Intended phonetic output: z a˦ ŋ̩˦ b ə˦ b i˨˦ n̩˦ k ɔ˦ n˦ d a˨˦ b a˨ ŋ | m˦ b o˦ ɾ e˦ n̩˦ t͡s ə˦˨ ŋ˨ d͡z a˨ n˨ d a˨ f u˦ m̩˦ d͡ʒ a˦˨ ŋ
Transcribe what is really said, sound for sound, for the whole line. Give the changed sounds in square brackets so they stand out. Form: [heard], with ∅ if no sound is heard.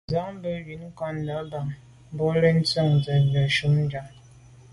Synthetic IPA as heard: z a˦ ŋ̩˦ b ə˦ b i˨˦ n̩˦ k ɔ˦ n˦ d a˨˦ b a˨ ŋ | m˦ b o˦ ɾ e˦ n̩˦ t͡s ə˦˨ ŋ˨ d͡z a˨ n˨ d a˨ [ʃ] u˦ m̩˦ d͡ʒ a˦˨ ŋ